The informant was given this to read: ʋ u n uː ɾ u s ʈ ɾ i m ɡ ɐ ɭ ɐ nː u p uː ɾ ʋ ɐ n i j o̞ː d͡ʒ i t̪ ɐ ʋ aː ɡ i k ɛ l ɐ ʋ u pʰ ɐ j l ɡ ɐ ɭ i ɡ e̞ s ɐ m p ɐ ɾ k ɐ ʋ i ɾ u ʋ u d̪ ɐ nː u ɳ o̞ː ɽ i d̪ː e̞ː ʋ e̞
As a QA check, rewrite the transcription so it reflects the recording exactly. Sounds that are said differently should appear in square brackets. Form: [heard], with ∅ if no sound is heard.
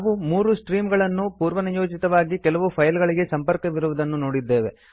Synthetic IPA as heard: ʋ u [m] uː ɾ u s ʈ ɾ [iː] m ɡ ɐ ɭ ɐ nː u p uː ɾ ʋ ɐ n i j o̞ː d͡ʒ i t̪ ɐ ʋ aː ɡ i k ɛ l ɐ ʋ u pʰ ɐ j l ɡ ɐ ɭ i ɡ e̞ s ɐ m p ɐ ɾ k ɐ ʋ i ɾ u ʋ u d̪ ɐ nː u [n] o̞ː ɽ i d̪ː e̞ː ʋ e̞

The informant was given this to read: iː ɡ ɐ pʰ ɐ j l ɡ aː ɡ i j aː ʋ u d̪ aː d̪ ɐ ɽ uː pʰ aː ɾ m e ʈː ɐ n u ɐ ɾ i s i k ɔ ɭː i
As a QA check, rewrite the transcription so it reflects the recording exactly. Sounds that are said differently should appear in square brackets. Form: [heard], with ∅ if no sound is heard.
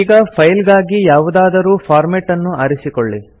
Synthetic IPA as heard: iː ɡ ɐ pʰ ɐ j l ɡ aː ɡ i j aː ʋ u d̪ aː d̪ ɐ [ɾ] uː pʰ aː ɾ m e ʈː ɐ [nː] u ɐ ɾ i s i k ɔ ɭː i

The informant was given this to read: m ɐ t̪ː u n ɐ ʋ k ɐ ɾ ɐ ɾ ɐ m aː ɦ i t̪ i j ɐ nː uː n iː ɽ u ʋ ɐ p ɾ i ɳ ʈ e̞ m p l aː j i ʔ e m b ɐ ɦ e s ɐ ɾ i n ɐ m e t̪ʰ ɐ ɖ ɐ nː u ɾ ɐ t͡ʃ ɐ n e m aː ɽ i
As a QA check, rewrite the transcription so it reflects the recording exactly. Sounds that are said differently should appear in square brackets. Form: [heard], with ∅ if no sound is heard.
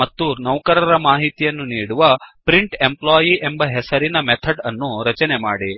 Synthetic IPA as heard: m ɐ t̪ː u n ɐ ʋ k ɐ ɾ ɐ ɾ ɐ m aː ɦ i t̪ i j ɐ nː [u] n iː ɽ u ʋ ɐ p ɾ i ɳ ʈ e̞ m p l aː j i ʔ e m b ɐ ɦ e s ɐ ɾ i n ɐ m e t̪ʰ ɐ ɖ ɐ nː u ɾ ɐ t͡ʃ ɐ n e m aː ɽ i

